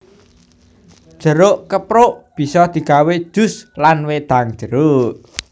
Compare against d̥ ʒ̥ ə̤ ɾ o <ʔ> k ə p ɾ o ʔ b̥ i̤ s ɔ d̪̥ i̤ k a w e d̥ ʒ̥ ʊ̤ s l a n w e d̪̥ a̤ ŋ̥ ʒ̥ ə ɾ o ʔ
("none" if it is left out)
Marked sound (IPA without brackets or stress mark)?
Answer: ʔ